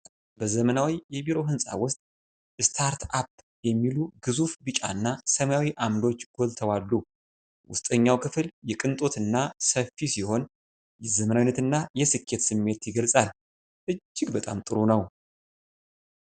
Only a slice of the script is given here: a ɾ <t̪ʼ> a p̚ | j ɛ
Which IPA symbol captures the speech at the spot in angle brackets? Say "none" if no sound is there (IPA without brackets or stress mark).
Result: t̪